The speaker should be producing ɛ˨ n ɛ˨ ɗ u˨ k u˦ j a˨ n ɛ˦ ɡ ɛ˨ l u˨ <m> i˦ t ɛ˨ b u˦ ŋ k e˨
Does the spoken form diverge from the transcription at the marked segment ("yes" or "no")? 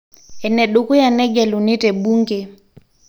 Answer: yes